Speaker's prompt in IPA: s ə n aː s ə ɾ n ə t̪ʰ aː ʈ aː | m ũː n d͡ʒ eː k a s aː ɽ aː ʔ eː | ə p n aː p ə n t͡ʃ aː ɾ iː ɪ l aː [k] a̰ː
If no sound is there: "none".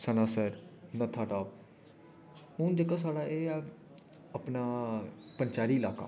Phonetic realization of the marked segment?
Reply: k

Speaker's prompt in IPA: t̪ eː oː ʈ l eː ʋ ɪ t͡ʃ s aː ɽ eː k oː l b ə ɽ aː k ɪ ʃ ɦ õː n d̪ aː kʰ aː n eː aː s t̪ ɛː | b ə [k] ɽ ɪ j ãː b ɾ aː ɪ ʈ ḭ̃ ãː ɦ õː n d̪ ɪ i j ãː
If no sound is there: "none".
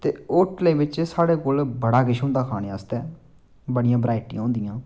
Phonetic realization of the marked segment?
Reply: none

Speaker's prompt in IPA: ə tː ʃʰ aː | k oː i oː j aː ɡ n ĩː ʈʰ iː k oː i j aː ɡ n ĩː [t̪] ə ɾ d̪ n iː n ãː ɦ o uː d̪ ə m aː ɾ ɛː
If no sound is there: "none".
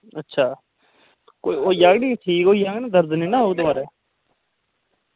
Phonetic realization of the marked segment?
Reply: d̪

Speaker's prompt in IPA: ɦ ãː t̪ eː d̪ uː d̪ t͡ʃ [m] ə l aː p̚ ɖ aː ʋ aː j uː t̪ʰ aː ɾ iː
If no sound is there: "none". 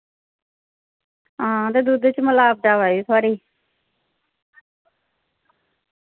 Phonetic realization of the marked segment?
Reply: m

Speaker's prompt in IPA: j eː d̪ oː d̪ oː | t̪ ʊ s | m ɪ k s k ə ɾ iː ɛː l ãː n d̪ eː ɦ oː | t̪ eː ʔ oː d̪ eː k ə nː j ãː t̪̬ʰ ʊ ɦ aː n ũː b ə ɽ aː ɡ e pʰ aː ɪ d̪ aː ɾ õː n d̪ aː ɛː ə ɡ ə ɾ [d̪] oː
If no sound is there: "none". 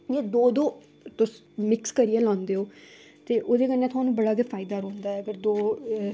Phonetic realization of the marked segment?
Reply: d̪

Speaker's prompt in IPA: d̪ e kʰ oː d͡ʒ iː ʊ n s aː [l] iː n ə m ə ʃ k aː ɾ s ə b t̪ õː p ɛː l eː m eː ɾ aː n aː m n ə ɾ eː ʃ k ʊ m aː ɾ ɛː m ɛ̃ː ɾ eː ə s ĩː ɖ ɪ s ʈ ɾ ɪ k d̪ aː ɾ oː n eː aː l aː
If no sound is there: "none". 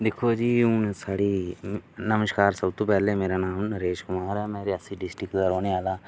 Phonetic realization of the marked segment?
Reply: ɽ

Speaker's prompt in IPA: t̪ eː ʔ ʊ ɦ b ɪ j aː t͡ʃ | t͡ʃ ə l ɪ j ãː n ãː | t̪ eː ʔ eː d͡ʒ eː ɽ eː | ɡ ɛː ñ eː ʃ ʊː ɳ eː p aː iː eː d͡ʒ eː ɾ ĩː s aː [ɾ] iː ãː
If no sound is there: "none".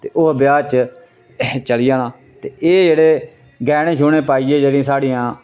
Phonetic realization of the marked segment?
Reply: ɽ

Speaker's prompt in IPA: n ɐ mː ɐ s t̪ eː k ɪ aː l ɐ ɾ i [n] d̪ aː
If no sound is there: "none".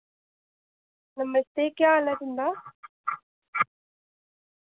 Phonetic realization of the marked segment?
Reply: n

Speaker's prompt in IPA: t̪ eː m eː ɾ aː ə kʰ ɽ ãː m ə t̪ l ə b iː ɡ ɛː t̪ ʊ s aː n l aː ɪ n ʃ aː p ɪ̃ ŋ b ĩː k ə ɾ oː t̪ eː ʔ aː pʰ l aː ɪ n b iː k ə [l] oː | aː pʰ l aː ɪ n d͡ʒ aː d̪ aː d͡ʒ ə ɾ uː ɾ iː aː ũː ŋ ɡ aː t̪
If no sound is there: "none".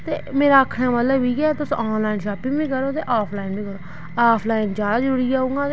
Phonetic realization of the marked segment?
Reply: ɾ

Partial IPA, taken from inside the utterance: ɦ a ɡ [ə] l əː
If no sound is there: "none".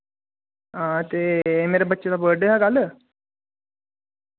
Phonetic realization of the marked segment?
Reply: a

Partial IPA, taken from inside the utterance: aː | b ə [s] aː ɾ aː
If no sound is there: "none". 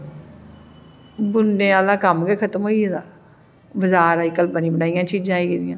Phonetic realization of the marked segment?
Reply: z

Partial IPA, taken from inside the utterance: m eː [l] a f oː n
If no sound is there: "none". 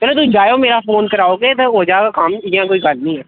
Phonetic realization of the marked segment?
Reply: ɾ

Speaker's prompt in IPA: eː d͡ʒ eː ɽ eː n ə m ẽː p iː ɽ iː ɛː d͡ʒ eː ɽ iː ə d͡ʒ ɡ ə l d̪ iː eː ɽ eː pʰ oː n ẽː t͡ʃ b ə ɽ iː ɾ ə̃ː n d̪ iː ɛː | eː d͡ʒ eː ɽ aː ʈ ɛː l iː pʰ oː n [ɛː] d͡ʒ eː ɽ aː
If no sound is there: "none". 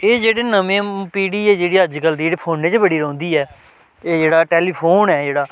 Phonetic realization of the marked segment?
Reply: ɛː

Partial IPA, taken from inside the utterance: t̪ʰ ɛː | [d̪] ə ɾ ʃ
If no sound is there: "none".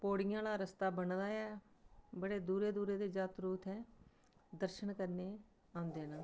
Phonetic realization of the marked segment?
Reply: d̪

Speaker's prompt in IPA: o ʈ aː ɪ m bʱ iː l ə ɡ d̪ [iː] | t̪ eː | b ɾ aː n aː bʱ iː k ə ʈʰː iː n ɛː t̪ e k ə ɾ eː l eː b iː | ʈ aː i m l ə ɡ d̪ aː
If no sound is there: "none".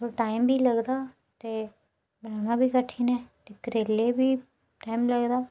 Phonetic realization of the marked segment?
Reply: aː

